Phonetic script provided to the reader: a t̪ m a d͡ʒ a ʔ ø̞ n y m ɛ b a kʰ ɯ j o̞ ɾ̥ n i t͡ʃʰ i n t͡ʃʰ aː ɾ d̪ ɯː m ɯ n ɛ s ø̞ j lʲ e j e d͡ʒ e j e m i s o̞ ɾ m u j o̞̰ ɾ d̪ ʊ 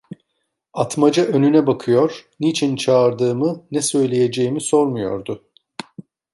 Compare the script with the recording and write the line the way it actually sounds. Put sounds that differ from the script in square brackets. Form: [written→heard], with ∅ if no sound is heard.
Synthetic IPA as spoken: a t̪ m a d͡ʒ a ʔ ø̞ n y [m→n] ɛ b a kʰ ɯ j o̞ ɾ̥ n i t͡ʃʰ i n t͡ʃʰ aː ɾ d̪ ɯː m ɯ n ɛ s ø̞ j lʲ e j e d͡ʒ e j [e→i] m i s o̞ ɾ m u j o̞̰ ɾ d̪ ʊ